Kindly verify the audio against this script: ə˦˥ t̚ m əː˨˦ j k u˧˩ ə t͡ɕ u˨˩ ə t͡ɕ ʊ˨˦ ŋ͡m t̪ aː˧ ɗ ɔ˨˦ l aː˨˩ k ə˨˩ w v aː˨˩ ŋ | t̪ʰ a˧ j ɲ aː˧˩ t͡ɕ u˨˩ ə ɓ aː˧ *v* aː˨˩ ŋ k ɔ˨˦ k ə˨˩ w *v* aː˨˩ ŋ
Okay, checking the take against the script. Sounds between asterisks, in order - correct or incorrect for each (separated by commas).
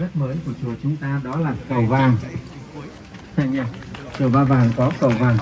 correct, correct